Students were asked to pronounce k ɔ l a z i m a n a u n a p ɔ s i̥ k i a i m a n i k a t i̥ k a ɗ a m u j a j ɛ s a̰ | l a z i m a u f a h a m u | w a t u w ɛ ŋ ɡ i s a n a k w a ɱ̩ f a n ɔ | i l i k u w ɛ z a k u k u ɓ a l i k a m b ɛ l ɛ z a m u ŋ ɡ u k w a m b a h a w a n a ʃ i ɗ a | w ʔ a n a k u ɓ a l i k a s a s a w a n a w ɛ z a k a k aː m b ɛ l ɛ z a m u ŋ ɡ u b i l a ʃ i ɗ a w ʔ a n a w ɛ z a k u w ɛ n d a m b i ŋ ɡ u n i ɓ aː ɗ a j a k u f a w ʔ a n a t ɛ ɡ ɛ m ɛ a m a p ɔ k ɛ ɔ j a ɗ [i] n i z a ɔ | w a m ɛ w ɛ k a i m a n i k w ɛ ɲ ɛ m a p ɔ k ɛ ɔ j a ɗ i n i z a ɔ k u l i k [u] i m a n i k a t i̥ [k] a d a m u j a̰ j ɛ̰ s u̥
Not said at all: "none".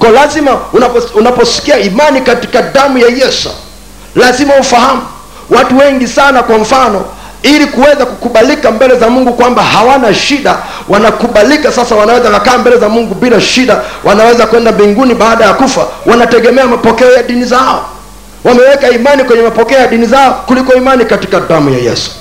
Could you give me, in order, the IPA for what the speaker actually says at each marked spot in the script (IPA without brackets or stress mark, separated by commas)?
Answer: i, ɔ, k